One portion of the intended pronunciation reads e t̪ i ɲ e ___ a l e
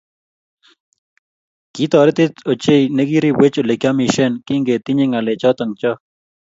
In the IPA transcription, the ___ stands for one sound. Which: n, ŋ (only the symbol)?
ŋ